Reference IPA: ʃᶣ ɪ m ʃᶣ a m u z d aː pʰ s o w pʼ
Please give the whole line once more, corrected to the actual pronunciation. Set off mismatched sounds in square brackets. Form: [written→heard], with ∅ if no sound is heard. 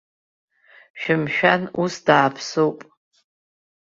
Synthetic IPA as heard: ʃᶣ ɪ m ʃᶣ a [m→n] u [z→s] d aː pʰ s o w pʼ